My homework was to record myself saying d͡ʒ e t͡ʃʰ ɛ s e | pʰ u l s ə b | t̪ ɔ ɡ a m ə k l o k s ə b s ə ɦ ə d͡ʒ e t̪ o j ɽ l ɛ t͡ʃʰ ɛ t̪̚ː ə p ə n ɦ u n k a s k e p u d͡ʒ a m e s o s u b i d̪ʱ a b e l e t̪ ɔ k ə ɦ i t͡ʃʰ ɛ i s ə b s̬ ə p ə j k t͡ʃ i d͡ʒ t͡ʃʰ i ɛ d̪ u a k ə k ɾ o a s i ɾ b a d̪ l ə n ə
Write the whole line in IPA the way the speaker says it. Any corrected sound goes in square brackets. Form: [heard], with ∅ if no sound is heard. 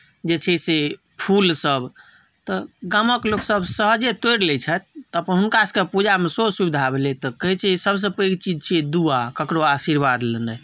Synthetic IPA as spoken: d͡ʒ e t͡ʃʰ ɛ s e | pʰ u l s ə b | t̪ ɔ ɡ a m ə k l o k s ə b s ə ɦ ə d͡ʒ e t̪ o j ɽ l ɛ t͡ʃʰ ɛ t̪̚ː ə p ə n ɦ u n k a s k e p u d͡ʒ a m e s o s u b i d̪ʱ a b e l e t̪ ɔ k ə ɦ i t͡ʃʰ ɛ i s ə b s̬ ə p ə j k t͡ʃ i d͡ʒ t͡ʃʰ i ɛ d̪ u a k ə k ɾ o a s i ɾ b a d̪ l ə n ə